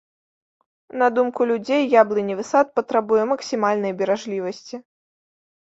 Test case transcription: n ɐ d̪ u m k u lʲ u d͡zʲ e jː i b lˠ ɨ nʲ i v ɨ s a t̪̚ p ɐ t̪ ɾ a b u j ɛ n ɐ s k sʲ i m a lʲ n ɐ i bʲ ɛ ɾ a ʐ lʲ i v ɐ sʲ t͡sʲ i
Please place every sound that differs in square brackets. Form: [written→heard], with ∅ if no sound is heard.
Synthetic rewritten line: n ɐ d̪ u m k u lʲ u d͡zʲ e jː [i→a] b lˠ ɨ nʲ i v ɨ s a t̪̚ p ɐ t̪ ɾ a b u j ɛ [n→m] ɐ [s→∅] k sʲ i m a lʲ n ɐ [i→j] bʲ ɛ ɾ a ʐ lʲ i v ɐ sʲ t͡sʲ i